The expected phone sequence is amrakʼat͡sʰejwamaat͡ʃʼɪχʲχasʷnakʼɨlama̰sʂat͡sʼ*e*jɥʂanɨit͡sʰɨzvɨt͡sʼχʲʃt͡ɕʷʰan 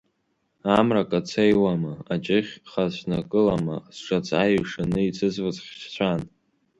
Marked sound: incorrect: a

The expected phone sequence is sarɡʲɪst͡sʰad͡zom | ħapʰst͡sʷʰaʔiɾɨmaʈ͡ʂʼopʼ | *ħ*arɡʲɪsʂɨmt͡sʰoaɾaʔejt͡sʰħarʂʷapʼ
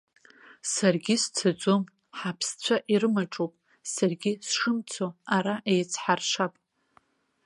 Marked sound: incorrect: s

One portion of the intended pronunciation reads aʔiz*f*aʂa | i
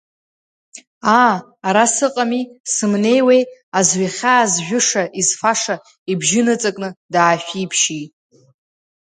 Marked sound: correct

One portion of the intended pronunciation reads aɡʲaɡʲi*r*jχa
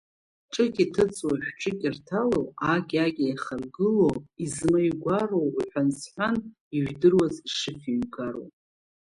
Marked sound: incorrect: none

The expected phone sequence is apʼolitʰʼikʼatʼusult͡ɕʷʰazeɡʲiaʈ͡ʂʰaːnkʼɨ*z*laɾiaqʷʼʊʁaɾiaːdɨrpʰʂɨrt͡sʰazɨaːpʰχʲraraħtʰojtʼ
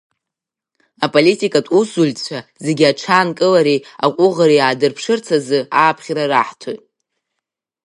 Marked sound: incorrect: none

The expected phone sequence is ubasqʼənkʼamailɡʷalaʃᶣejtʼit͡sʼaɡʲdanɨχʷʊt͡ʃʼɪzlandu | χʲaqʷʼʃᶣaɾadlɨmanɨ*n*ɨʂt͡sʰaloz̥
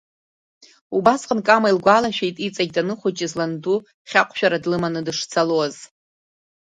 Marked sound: incorrect: d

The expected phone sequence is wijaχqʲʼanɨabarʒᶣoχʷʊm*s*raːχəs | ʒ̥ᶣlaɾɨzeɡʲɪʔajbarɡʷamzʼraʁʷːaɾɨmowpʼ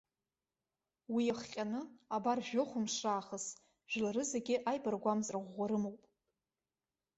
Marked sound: incorrect: ʂ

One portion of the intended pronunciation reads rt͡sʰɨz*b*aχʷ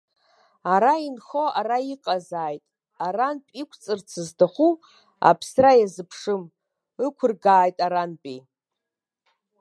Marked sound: incorrect: d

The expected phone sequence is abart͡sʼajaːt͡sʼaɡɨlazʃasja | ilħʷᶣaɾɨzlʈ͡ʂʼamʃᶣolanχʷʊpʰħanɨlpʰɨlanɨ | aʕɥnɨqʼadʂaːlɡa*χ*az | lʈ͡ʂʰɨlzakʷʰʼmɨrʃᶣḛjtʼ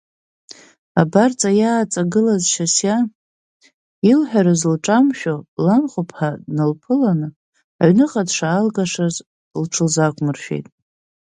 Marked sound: incorrect: ʂ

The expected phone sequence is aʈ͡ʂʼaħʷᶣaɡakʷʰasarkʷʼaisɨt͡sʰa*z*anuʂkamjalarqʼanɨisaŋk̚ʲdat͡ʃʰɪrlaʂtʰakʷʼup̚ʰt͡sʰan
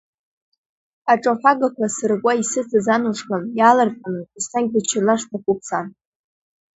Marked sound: correct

